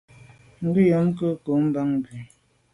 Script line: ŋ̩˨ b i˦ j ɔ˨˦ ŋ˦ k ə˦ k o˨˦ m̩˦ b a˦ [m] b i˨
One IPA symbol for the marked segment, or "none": ŋ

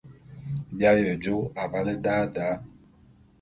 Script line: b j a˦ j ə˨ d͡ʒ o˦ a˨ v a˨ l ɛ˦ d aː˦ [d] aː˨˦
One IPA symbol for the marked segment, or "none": d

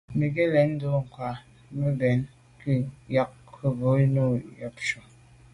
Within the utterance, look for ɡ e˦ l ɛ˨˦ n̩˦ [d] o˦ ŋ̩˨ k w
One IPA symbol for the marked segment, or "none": d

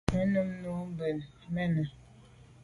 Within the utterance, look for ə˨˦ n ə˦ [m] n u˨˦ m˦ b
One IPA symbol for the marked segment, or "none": m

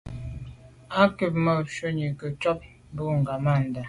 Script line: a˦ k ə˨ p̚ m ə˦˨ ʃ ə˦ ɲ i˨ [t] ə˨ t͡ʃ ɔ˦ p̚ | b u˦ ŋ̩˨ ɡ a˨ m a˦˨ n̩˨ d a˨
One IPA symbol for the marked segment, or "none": k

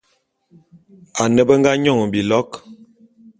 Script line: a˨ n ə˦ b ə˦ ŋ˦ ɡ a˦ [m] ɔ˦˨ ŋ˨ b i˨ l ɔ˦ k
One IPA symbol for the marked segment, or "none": ɲ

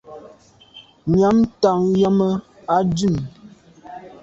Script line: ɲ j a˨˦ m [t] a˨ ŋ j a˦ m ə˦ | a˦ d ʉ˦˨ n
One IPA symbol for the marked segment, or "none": t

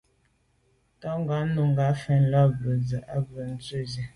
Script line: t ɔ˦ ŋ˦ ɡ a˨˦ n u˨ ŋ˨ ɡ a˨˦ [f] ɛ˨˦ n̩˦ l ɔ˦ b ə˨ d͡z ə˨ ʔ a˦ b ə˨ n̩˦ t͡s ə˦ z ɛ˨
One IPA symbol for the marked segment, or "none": f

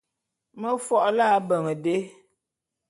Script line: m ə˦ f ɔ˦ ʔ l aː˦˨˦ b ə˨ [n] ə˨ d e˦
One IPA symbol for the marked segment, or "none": ŋ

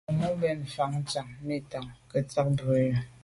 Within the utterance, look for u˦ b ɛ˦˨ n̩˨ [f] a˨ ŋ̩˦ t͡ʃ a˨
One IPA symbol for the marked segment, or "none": f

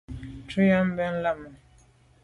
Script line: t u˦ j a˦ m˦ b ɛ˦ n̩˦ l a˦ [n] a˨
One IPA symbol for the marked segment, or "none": m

